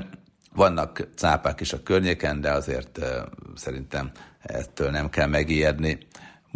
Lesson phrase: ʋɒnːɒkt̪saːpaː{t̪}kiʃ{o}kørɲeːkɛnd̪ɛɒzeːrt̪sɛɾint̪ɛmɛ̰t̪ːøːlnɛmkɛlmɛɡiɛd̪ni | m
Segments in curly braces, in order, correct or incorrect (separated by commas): incorrect, incorrect